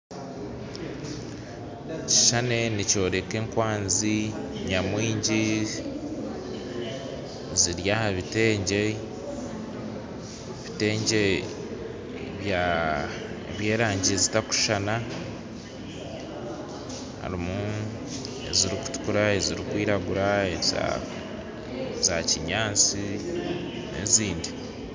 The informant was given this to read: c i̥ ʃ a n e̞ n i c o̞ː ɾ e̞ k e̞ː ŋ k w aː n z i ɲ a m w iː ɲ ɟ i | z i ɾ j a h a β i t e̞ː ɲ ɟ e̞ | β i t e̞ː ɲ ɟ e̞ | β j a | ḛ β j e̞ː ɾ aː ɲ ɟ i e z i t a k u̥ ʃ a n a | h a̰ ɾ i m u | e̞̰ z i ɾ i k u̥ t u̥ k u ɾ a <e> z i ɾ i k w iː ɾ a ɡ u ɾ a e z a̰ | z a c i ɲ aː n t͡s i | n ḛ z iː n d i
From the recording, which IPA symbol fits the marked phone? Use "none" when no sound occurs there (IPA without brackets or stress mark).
e